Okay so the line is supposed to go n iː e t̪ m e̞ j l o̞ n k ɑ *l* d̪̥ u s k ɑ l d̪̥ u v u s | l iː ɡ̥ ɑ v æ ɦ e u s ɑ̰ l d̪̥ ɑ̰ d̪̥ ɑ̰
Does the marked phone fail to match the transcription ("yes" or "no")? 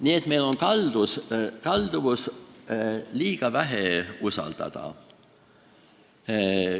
no